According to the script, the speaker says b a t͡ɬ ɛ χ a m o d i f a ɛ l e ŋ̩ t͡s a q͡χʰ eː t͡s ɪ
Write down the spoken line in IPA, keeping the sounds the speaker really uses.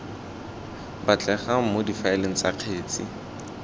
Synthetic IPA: b a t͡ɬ ɛ χ a m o d i f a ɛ l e ŋ̩ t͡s a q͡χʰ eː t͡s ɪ